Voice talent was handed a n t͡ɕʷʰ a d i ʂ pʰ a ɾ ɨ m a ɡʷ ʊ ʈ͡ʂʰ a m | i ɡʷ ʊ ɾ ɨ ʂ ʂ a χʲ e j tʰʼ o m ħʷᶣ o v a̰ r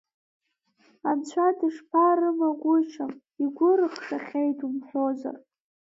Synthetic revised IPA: a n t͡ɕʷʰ a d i ʂ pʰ a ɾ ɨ m a ɡʷ ʊ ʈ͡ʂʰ a m | i ɡʷ ʊ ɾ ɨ χ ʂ a χʲ e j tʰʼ u m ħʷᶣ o z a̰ r